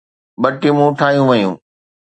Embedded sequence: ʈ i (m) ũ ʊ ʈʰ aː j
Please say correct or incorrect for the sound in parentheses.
correct